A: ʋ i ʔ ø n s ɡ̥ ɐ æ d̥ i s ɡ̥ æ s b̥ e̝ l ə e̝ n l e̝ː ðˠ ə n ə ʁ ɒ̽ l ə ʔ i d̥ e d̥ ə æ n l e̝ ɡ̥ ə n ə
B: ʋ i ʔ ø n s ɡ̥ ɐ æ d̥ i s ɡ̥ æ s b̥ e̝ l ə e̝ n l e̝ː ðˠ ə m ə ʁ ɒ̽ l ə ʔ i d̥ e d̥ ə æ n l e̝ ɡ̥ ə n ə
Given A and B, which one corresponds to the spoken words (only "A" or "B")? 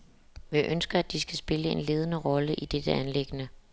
A